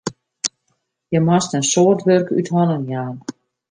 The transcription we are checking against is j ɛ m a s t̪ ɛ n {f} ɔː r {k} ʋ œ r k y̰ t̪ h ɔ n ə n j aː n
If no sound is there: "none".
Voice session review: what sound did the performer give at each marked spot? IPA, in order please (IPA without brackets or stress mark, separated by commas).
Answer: s, t